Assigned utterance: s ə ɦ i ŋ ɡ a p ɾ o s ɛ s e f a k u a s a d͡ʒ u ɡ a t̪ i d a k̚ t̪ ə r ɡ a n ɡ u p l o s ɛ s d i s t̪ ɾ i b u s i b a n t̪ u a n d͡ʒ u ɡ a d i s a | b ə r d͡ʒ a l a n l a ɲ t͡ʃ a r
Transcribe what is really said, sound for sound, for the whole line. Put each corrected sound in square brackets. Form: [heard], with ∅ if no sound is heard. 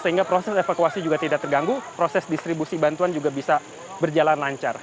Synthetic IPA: s ə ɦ i ŋ ɡ a p ɾ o s ɛ s e f a k u a s [i] d͡ʒ u ɡ a t̪ i d a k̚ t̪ ə r ɡ a [ŋ] ɡ u p [ɾ] o s ɛ s d i s t̪ ɾ i b u s i b a n t̪ u a n d͡ʒ u ɡ a [b] i s a | b ə r d͡ʒ a l a n l a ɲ t͡ʃ a r